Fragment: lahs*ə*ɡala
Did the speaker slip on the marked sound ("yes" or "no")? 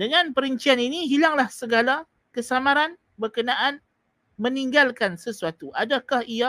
no